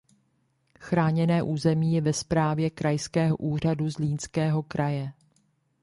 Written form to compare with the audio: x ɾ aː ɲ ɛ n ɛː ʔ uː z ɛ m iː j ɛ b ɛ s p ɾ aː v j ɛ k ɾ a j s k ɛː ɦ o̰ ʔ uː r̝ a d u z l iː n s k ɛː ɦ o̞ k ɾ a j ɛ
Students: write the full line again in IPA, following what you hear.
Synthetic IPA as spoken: x ɾ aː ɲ ɛ n ɛː ʔ uː z ɛ m iː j ɛ v ɛ s p ɾ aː v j ɛ k ɾ a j s k ɛː ɦ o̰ ʔ uː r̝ a d u z l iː n s k ɛː ɦ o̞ k ɾ a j ɛ